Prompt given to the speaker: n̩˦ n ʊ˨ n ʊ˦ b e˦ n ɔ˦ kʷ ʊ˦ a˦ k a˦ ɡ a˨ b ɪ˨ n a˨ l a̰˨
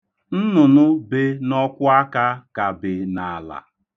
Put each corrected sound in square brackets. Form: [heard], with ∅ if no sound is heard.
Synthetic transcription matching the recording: n̩˦ n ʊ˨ n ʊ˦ b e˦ n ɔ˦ kʷ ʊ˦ a˦ k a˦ [k] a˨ b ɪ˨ n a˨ l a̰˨